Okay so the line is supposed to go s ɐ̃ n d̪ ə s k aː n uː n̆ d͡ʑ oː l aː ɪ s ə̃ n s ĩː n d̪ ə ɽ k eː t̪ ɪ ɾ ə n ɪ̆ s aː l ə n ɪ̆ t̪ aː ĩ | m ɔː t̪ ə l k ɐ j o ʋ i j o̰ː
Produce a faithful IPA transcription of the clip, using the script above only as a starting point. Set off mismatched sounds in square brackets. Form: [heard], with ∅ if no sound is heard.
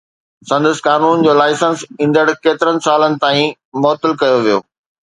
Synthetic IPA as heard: s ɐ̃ n d̪ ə s k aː n uː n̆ d͡ʑ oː l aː ɪ s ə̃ n s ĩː n d̪ ə ɽ k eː t̪ ɪ ɾ ə n ɪ̆ s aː l ə n ɪ̆ t̪ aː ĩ | m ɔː t̪ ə l k ɐ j o ʋ i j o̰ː

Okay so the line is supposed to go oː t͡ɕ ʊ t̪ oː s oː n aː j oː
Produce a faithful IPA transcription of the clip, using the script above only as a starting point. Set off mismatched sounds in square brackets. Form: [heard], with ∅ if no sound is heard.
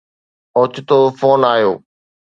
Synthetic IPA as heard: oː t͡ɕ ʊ t̪ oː [f] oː n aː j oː

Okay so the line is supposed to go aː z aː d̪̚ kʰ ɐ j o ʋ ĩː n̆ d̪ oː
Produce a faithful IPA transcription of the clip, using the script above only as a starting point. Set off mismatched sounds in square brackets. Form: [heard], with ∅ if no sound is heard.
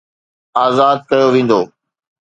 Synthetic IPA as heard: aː z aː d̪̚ [k] ɐ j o ʋ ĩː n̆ d̪ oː

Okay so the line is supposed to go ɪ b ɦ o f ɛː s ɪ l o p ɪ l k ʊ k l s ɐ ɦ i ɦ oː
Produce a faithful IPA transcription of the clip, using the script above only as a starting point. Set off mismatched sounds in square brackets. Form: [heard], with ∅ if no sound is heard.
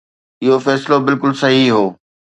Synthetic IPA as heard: ɪ [∅] ɦ o f ɛː s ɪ l o [b] ɪ l k ʊ [∅] l s ɐ ɦ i ɦ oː

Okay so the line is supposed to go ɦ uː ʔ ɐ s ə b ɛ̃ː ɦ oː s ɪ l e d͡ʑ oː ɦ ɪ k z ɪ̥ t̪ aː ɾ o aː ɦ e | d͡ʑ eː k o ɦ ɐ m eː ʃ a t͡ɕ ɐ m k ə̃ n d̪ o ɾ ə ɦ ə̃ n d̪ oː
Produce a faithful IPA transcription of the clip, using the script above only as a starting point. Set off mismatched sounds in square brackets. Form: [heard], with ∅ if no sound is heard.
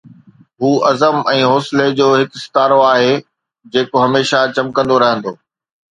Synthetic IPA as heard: ɦ uː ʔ ɐ [z] ə [m] ɛ̃ː ɦ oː s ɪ l e d͡ʑ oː ɦ ɪ k [s] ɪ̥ t̪ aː ɾ o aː ɦ e | d͡ʑ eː k o ɦ ɐ m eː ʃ a t͡ɕ ɐ m k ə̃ n d̪ o ɾ [ɐ] ɦ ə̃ n d̪ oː

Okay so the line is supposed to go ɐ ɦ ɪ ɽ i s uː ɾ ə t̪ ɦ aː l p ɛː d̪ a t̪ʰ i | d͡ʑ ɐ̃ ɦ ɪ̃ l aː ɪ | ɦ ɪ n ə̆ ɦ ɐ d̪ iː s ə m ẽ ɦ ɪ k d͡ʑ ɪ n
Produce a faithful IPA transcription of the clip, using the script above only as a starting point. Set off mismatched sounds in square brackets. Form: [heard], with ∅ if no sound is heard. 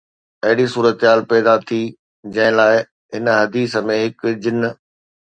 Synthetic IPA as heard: ɐ ɦ ɪ ɽ i s uː ɾ ə t̪ ɦ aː l p ɛː d̪ a t̪ʰ i | d͡ʑ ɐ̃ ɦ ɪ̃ l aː ɪ | ɦ ɪ n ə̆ ɦ ɐ d̪ iː s ə m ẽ ɦ ɪ k d͡ʑ ɪ n

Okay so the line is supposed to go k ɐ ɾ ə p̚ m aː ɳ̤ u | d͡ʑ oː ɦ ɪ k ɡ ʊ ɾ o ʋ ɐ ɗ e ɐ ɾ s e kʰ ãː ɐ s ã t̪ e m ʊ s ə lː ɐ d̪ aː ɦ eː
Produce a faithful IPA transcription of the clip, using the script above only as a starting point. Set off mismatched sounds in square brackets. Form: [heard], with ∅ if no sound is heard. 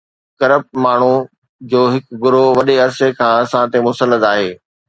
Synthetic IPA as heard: k ɐ ɾ ə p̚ m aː ɳ̤ u | d͡ʑ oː ɦ ɪ k ɡ ʊ ɾ o ʋ ɐ ɗ e ɐ ɾ s e kʰ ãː ɐ s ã t̪ e m ʊ s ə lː [ə] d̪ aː ɦ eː

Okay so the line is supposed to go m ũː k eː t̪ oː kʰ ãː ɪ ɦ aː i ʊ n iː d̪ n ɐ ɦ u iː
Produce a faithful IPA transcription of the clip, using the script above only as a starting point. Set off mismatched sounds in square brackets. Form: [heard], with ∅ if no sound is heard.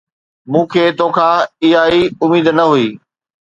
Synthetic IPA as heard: m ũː [kʰ] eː t̪ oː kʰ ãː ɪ ɦ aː i ʊ [m] iː d̪ n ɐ ɦ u iː

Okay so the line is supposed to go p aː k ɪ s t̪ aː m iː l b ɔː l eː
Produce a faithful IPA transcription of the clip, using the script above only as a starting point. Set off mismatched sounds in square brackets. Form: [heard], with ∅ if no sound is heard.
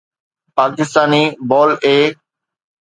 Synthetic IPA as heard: p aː k ɪ s t̪ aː [n] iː [∅] b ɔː l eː

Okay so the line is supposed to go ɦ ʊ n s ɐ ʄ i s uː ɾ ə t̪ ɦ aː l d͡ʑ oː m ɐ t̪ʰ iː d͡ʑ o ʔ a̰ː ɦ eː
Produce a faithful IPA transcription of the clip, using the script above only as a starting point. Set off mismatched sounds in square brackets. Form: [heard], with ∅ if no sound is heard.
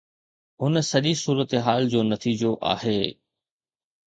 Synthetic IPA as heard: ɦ ʊ n s ɐ ʄ i s uː ɾ ə t̪ ɦ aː l d͡ʑ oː [n] ɐ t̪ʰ iː d͡ʑ o ʔ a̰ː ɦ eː

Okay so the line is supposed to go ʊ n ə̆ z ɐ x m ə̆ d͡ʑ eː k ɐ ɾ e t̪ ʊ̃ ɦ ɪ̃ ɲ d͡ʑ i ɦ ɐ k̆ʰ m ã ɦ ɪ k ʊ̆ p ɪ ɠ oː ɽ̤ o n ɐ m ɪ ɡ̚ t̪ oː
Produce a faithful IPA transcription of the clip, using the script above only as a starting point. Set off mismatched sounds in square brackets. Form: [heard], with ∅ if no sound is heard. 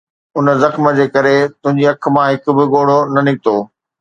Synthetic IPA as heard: ʊ n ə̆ z ɐ x m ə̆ d͡ʑ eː k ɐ ɾ e t̪ ʊ̃ ɦ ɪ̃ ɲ d͡ʑ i [∅] ɐ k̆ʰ m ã ɦ ɪ k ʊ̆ [b] ɪ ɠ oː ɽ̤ o n ɐ [n] ɪ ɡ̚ t̪ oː

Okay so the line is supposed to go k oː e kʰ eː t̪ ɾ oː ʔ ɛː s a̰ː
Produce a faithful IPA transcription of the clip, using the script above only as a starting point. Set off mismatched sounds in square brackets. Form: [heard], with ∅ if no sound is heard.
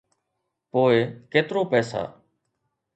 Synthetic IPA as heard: [p] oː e [k] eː t̪ ɾ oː [p] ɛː s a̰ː

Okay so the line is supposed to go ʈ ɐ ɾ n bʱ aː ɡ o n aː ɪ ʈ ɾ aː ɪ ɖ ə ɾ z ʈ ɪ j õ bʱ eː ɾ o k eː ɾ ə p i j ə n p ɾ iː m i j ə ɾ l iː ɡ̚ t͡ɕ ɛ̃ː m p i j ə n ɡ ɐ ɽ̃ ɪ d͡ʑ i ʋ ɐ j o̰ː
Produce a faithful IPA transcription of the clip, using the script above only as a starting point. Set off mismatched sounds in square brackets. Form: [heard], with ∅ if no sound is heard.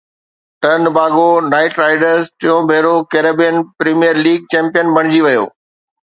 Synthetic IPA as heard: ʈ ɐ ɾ n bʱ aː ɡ o n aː ɪ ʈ ɾ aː ɪ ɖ ə ɾ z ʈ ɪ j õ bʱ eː ɾ o k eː ɾ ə [b] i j ə n p ɾ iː m i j ə ɾ l iː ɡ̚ t͡ɕ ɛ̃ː m p i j ə n [b] ɐ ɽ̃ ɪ d͡ʑ i ʋ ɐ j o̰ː

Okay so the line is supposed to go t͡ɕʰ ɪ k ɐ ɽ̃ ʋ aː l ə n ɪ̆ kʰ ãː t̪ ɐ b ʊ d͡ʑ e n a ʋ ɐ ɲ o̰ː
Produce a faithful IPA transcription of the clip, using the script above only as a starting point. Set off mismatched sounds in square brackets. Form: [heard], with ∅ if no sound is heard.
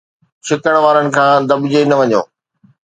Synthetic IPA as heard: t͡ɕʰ ɪ k [ə] ɽ̃ ʋ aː [ɾ] ə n ɪ̆ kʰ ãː [d̪] ɐ b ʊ d͡ʑ e n [ɐ] ʋ ɐ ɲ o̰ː

